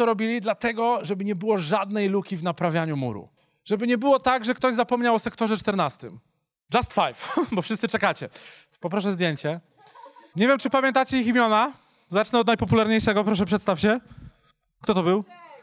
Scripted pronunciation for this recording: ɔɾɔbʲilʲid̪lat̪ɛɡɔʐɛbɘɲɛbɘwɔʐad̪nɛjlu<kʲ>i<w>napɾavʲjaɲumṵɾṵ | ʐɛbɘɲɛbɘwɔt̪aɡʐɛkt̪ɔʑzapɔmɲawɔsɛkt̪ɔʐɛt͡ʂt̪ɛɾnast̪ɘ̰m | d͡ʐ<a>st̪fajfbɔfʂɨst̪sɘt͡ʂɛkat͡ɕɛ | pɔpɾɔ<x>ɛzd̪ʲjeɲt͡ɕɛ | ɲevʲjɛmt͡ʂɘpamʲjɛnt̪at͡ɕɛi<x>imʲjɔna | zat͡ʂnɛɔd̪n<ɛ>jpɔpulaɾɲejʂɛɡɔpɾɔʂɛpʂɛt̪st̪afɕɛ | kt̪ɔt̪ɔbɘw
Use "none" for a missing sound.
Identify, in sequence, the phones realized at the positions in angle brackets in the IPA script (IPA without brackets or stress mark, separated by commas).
kʲ, v, a, ʂ, x, a